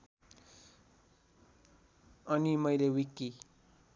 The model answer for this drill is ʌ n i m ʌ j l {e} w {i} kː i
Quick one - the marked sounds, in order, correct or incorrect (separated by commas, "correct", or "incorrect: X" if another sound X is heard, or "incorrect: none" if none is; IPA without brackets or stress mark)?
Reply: correct, correct